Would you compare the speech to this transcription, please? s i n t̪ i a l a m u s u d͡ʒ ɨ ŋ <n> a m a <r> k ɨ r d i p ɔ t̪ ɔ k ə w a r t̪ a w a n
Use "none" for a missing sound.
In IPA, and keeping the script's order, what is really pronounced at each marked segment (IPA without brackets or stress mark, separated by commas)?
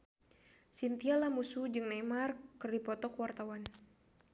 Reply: n, r